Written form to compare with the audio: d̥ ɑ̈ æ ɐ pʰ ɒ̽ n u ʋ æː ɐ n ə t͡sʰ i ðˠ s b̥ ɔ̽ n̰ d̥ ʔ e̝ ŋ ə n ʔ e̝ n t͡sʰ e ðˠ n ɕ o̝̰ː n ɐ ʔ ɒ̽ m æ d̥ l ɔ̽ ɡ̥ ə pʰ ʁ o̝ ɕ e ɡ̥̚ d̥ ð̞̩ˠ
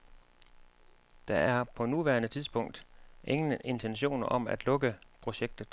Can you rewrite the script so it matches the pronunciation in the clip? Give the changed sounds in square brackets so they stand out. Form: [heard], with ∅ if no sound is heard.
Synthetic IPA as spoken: d̥ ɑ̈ æ ɐ pʰ ɒ̽ n u ʋ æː ɐ n ə t͡sʰ i ðˠ s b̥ ɔ̽ [ŋ̰] d̥ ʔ e̝ ŋ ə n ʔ e̝ n t͡sʰ e [∅] n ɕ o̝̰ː n ɐ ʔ ɒ̽ m æ d̥ l ɔ̽ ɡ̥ ə pʰ ʁ o̝ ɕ e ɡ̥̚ d̥ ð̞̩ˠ